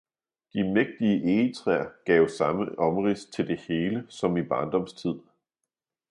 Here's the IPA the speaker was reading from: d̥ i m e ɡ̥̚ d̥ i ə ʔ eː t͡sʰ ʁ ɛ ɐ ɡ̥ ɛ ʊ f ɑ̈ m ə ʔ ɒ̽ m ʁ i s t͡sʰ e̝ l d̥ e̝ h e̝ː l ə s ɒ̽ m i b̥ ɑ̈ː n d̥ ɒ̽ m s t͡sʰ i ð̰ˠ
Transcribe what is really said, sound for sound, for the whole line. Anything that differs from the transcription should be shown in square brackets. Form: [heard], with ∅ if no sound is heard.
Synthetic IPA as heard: d̥ i m e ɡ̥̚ d̥ i ə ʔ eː t͡sʰ ʁ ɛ ɐ ɡ̥ ɛ ʊ [s] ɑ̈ m ə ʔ ɒ̽ m ʁ i s t͡sʰ e̝ l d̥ e̝ h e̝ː l ə s ɒ̽ m i b̥ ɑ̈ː n d̥ ɒ̽ m s t͡sʰ i ð̰ˠ